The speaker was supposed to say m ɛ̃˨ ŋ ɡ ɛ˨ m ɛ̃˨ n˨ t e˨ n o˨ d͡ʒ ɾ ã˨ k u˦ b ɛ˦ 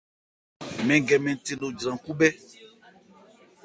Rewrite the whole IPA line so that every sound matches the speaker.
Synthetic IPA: m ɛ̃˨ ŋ ɡ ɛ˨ m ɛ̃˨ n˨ t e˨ n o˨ d͡ʒ ɾ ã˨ k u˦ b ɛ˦

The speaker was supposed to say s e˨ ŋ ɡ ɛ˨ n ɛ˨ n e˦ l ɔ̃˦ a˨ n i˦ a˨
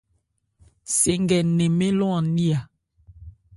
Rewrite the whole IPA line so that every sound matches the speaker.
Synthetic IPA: s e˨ ŋ ɡ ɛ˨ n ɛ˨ m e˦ l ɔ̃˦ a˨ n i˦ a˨

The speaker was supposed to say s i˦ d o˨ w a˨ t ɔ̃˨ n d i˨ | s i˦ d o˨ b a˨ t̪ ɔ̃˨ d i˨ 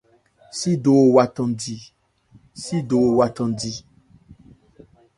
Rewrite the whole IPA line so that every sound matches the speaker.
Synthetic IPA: s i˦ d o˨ w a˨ t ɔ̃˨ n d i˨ | s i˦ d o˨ w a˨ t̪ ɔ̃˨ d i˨

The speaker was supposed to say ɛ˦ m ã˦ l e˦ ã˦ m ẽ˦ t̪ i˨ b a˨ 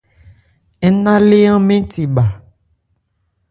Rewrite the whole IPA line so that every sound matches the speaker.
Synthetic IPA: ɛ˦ n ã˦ l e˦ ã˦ m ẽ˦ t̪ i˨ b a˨

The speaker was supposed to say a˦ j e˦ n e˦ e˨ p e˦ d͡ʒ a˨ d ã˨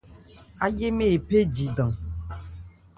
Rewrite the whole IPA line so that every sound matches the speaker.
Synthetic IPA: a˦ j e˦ m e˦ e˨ p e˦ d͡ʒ i˨ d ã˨

